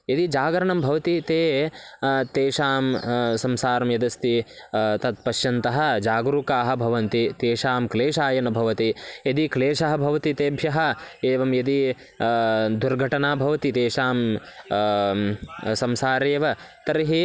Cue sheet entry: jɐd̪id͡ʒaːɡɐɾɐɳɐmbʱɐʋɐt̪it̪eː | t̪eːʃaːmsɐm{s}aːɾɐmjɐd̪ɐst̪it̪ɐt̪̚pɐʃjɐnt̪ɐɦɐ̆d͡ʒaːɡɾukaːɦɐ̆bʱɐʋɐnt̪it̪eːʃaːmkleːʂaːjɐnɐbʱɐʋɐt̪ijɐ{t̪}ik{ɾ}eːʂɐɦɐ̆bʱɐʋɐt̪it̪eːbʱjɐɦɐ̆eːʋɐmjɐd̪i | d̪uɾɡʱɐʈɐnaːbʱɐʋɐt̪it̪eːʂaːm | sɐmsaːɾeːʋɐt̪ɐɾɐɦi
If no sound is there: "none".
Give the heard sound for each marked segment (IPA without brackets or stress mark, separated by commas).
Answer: s, d̪, l